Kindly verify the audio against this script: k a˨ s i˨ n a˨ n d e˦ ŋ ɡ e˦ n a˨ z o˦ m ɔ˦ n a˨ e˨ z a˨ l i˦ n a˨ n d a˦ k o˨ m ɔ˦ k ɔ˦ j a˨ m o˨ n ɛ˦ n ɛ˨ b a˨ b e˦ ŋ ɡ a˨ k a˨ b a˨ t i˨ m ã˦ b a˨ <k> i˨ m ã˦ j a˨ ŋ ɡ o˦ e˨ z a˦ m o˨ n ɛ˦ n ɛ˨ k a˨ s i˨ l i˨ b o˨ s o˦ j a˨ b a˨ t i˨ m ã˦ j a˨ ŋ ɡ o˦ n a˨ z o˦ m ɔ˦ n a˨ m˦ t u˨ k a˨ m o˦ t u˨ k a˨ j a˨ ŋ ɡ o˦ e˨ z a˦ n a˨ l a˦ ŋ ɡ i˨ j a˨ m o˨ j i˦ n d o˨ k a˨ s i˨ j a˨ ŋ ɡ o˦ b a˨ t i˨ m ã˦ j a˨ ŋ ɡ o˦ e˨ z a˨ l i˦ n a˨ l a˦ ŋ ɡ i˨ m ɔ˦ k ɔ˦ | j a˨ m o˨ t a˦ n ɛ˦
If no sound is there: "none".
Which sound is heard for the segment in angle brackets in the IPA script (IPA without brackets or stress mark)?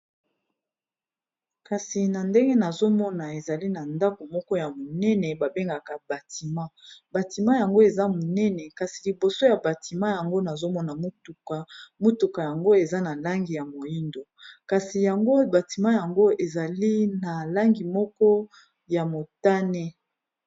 t